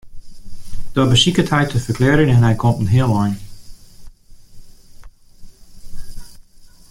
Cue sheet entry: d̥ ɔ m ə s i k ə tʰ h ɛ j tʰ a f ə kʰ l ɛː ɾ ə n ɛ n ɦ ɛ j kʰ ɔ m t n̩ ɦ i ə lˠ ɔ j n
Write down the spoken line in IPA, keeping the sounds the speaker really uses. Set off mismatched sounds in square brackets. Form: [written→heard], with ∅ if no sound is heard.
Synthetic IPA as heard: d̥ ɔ [m→b] ə s i k ə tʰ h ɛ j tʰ [a→ə] f ə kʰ l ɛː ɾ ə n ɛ n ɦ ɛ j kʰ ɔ m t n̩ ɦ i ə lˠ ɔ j n